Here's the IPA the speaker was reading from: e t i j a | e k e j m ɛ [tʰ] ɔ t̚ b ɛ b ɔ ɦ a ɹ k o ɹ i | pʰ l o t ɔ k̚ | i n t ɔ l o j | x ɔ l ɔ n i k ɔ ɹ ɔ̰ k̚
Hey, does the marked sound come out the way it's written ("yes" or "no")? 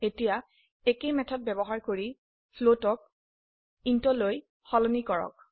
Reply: yes